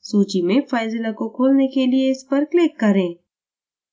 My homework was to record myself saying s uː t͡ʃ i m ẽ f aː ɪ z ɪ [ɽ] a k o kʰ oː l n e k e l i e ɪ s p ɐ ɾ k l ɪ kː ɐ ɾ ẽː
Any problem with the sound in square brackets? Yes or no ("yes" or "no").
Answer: yes